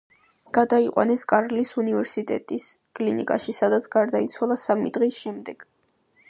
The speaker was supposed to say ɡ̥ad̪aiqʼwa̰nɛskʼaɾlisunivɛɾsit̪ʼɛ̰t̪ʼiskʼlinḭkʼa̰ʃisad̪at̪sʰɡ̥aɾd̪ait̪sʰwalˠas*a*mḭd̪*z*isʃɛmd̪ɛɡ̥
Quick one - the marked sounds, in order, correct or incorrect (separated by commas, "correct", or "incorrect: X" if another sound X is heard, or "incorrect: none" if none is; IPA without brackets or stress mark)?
correct, incorrect: ʁ